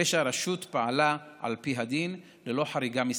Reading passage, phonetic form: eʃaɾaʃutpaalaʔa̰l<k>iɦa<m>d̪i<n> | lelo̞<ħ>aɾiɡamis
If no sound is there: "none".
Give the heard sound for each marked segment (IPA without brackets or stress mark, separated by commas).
p, none, n, ħ